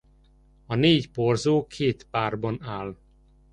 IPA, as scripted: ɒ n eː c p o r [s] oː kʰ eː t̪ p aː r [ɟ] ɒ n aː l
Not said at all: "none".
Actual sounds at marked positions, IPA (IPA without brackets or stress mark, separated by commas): z, b